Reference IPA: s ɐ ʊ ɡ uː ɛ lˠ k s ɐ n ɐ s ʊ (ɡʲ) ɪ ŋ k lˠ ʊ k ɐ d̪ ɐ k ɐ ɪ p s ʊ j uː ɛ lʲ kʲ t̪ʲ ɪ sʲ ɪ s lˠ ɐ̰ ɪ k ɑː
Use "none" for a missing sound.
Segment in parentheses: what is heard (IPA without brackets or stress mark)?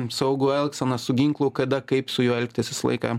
ɡʲ